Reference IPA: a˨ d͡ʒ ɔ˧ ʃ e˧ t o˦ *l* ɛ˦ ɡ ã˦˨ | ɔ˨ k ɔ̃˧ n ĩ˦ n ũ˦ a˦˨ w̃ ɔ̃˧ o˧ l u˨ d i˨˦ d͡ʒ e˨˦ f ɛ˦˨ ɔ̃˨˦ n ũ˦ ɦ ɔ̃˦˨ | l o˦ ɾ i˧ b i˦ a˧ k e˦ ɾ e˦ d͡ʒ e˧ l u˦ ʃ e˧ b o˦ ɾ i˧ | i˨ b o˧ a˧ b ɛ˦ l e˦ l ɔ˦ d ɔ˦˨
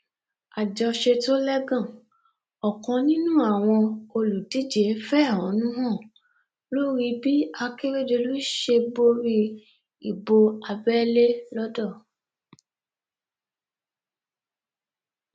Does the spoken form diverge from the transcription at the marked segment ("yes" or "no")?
no